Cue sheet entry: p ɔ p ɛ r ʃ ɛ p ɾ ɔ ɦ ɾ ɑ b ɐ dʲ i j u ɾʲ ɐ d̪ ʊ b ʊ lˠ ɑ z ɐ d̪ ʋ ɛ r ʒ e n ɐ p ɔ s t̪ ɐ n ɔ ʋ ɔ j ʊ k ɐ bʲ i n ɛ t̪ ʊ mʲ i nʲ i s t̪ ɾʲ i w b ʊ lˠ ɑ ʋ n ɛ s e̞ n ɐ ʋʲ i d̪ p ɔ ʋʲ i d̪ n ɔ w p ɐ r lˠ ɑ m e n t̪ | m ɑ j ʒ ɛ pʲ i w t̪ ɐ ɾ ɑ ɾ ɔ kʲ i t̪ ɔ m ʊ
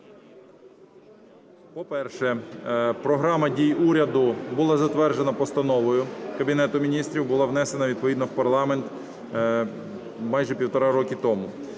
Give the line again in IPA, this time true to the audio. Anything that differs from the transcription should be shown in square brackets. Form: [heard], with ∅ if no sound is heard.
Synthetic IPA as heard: p ɔ p ɛ r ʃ ɛ p ɾ ɔ ɦ ɾ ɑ [m] ɐ dʲ i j u ɾʲ ɐ d̪ ʊ b ʊ lˠ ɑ z ɐ [t̪] ʋ ɛ r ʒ e n ɐ p ɔ s t̪ ɐ n ɔ ʋ ɔ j ʊ k ɐ bʲ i n ɛ t̪ ʊ mʲ i nʲ i s t̪ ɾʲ i w b ʊ lˠ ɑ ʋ n ɛ s e̞ n ɐ ʋʲ i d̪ p ɔ ʋʲ i d̪ n ɔ w p ɐ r lˠ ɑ m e n t̪ | m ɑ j ʒ ɛ pʲ i w t̪ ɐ ɾ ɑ ɾ ɔ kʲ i t̪ ɔ m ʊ

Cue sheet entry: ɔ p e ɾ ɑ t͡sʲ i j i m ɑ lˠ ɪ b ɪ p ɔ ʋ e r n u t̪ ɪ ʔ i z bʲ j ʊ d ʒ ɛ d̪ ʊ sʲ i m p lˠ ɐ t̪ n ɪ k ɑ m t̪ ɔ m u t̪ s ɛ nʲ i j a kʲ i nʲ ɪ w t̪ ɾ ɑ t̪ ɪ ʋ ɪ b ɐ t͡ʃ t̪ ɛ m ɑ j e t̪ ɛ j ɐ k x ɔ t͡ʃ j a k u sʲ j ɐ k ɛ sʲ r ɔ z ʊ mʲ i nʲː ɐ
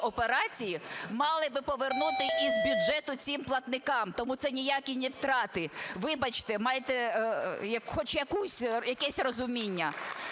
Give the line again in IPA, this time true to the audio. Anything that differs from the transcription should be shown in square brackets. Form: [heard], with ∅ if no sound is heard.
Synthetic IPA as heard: ɔ p e ɾ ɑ t͡sʲ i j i m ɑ lˠ ɪ b ɪ p ɔ ʋ e r n u t̪ ɪ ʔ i z bʲ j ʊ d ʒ ɛ [t̪] ʊ [t͡sʲ] i m p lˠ ɐ t̪ n ɪ k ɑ m t̪ ɔ m u t̪ s ɛ nʲ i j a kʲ i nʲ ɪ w t̪ ɾ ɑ t̪ ɪ ʋ ɪ b ɐ t͡ʃ t̪ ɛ m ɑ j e t̪ ɛ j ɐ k x ɔ t͡ʃ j [ɐ] k u sʲ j ɐ k ɛ sʲ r ɔ z ʊ mʲ i nʲː ɐ

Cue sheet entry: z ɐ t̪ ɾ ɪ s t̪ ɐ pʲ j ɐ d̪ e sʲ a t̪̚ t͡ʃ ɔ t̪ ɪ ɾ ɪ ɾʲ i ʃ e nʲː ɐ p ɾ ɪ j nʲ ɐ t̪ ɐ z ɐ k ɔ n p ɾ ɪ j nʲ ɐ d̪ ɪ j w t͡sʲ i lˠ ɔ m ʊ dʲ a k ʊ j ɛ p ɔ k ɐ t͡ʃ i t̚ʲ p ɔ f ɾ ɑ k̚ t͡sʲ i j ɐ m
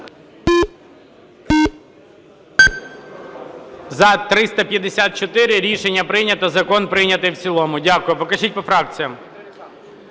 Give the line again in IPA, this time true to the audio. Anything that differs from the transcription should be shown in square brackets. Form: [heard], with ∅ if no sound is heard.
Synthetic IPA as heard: z ɐ t̪ ɾ ɪ s t̪ ɐ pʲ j ɐ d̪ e sʲ a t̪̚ t͡ʃ ɔ t̪ ɪ ɾ ɪ ɾʲ i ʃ e nʲː ɐ p ɾ ɪ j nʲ ɐ t̪ ɐ z ɐ k ɔ n p ɾ ɪ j nʲ ɐ [t̪] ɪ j w t͡sʲ i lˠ ɔ m ʊ dʲ a k ʊ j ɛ p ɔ k ɐ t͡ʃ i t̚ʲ p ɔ f ɾ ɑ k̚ t͡sʲ i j ɐ m

